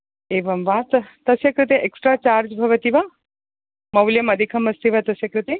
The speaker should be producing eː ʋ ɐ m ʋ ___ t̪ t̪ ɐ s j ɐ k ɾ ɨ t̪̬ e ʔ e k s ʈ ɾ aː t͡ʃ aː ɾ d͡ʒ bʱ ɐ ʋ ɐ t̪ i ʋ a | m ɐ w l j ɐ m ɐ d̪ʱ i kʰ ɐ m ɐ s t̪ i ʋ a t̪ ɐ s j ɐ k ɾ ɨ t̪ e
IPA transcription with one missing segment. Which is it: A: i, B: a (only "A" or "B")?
B